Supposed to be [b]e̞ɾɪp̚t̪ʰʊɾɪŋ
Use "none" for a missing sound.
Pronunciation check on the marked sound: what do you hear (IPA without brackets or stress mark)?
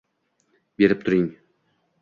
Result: b